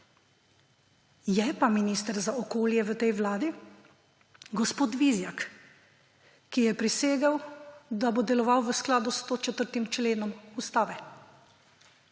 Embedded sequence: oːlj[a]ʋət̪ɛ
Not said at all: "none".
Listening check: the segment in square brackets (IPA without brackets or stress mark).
ɛ